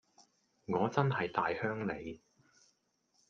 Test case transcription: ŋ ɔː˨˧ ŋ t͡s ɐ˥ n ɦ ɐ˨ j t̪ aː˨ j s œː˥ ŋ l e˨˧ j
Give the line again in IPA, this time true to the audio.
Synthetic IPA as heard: ŋ ɔː˨˧ t͡s ɐ˥ n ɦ ɐ˨ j t̪ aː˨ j h œː˥ ŋ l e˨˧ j